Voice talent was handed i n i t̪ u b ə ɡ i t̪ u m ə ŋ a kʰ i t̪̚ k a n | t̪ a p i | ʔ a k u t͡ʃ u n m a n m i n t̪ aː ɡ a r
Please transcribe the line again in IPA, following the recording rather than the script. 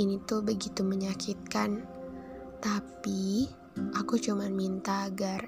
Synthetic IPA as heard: i n i t̪ u b ə ɡ i t̪ u m ə ɲ a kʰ i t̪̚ k a n | t̪ a p i | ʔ a k u t͡ʃ u m a n m i n t̪ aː ɡ a r